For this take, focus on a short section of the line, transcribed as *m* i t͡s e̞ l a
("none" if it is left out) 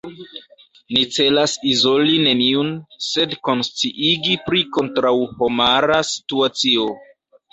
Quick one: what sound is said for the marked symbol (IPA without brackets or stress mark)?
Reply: n